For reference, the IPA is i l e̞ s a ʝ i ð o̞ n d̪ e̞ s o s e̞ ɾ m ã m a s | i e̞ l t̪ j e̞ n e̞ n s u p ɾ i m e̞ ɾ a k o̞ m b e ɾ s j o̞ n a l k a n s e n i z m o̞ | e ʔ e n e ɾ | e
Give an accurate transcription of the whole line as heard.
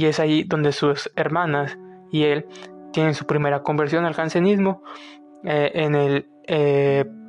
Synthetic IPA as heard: i e̞ s a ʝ i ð o̞ n d̪ e̞ s u s e̞ ɾ m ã n a s | i e̞ l t̪ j e̞ n e̞ n s u p ɾ i m e̞ ɾ a k o̞ m b e ɾ s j o̞ n a l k a n s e n i z m o̞ | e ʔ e n e l | e